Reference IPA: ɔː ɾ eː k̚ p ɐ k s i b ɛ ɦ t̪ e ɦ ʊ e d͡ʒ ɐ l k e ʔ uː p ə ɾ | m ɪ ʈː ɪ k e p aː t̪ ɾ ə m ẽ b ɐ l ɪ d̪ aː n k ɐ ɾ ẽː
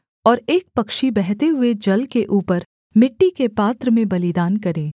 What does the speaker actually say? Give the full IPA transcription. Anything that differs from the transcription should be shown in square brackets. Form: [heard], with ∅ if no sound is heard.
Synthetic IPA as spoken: ɔː ɾ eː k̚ p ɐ k [ʃ] i b ɛ ɦ t̪ e ɦ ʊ e d͡ʒ ɐ l k e ʔ uː p ə ɾ | m ɪ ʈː [i] k e p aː t̪ ɾ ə m ẽ b ɐ l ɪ d̪ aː n k ɐ ɾ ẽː